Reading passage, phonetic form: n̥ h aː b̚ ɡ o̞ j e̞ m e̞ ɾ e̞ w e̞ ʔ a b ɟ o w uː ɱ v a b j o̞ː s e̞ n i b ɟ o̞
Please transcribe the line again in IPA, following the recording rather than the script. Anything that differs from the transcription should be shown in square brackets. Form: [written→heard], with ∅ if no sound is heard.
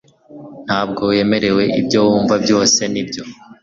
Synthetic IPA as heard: n̥ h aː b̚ ɡ o̞ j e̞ m e̞ ɾ e̞ w e̞ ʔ [a→i] b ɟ o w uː ɱ v a b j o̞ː s e̞ n i b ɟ o̞